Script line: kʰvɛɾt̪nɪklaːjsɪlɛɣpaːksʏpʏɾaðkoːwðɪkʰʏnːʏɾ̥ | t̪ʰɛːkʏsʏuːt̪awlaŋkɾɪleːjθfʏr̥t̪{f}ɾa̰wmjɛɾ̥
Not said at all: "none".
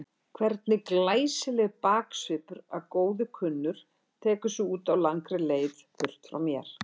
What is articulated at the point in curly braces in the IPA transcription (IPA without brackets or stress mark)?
f